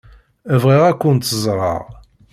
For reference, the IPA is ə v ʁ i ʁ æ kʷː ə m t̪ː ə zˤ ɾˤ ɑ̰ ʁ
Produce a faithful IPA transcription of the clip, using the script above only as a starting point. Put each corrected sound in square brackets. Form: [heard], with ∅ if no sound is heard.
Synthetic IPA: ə v ʁ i ʁ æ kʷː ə [n] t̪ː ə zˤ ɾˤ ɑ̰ ʁ